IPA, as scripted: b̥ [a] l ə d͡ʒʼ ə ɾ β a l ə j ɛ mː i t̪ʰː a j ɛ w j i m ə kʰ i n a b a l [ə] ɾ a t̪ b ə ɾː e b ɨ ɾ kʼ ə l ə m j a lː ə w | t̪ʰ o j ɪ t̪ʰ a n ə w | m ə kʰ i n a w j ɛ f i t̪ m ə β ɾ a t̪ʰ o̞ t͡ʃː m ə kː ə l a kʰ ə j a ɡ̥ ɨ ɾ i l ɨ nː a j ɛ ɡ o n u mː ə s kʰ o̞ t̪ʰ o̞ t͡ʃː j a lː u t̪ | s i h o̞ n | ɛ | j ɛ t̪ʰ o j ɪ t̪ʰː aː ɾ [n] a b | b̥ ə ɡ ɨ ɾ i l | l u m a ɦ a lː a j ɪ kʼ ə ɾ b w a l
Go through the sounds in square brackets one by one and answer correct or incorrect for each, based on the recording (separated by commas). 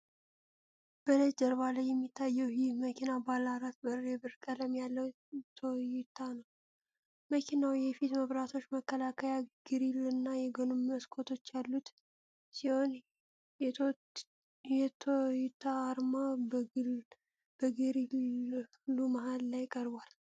incorrect, incorrect, incorrect